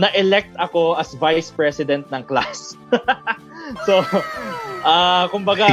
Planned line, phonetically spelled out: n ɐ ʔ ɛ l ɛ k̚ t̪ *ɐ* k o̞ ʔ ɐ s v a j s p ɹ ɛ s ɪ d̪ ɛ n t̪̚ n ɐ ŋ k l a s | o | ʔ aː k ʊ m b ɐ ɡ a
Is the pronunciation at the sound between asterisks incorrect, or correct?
correct